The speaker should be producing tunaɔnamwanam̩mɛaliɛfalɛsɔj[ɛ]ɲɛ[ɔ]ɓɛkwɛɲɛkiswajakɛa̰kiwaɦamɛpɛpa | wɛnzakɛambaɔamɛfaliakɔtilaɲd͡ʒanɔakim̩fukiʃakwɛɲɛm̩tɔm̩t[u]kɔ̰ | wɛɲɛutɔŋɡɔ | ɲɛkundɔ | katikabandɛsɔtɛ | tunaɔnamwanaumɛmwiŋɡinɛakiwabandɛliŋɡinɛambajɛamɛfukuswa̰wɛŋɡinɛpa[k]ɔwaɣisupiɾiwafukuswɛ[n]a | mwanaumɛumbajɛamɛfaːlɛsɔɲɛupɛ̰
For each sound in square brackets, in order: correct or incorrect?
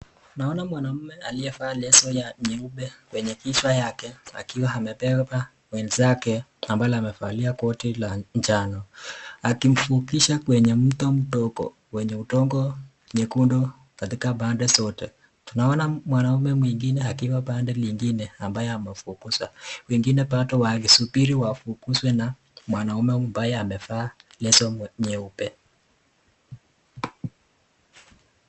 incorrect, incorrect, incorrect, incorrect, correct

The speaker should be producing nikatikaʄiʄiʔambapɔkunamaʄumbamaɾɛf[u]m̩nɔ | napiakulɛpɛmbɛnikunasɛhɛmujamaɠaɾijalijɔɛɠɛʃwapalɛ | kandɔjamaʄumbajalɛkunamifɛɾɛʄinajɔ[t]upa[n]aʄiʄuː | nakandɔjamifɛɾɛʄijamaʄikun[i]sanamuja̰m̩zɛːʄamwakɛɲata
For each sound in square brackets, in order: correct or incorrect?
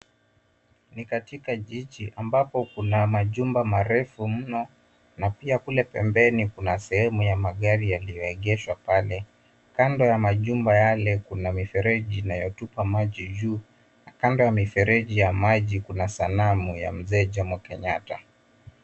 correct, correct, incorrect, incorrect

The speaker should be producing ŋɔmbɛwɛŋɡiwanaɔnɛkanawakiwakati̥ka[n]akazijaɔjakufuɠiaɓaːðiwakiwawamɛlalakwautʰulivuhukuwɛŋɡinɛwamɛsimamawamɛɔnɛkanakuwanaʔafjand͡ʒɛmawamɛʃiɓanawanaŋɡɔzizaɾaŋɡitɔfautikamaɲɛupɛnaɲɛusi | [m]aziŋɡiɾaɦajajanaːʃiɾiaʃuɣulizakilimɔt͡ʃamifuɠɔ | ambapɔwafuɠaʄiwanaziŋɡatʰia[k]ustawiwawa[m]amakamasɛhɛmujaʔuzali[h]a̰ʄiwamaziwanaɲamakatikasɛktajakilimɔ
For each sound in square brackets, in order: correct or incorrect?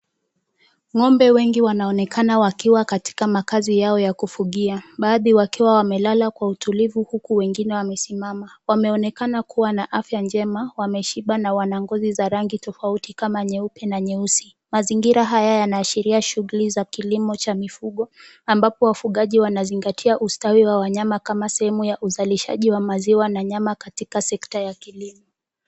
incorrect, correct, incorrect, incorrect, incorrect

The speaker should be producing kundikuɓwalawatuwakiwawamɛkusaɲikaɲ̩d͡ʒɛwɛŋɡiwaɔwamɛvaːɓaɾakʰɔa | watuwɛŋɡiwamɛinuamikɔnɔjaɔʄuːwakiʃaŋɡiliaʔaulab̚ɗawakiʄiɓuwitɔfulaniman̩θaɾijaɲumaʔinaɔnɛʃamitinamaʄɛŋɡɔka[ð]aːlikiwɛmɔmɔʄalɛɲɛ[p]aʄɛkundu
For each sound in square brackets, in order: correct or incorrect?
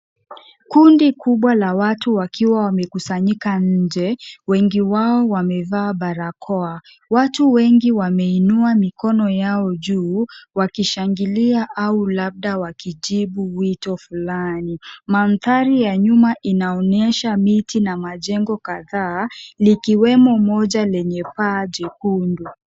correct, correct

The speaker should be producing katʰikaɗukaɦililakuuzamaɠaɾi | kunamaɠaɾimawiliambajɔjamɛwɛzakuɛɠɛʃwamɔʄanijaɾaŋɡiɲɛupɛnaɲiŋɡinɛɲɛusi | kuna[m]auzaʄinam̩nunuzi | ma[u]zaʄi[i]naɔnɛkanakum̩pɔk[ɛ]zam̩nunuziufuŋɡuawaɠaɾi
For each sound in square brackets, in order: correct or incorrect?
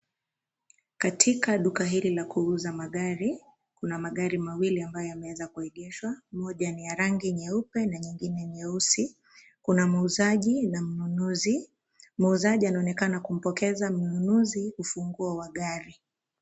correct, correct, incorrect, correct

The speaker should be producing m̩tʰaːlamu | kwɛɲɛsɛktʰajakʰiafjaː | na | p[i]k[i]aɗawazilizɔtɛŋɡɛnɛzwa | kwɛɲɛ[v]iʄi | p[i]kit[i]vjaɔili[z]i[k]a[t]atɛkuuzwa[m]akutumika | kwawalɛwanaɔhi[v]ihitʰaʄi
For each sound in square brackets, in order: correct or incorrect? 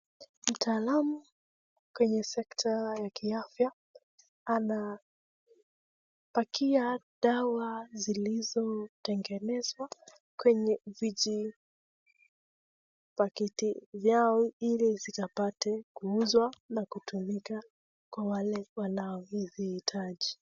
incorrect, correct, correct, incorrect, correct, correct, correct, incorrect, incorrect, incorrect

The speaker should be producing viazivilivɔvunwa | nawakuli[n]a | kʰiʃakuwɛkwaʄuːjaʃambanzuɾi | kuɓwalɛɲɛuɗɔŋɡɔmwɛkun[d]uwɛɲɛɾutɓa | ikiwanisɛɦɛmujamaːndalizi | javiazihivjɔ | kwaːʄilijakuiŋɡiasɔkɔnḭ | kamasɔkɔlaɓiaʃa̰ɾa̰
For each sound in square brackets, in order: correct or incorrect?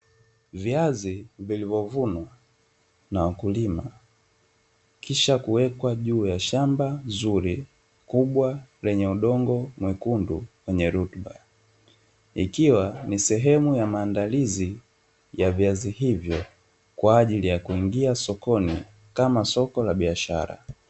incorrect, correct

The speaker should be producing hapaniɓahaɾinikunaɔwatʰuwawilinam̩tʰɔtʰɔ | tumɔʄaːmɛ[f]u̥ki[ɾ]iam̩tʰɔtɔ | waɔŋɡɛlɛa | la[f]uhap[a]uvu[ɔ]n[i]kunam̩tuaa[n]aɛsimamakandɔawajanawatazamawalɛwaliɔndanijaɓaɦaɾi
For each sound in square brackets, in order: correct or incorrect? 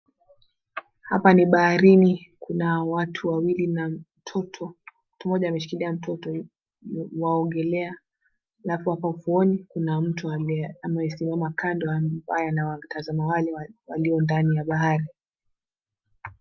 incorrect, incorrect, correct, correct, correct, correct, incorrect

